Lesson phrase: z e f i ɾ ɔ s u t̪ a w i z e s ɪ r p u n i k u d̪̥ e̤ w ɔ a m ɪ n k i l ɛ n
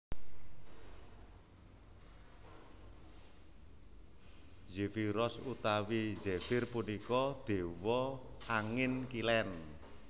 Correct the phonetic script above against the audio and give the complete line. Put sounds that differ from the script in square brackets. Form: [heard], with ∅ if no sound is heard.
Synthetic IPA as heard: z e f i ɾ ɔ s u t̪ a w i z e [f] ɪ r p u n i k [ɔ] d̪̥ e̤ w ɔ a [ŋ] ɪ n k i l ɛ n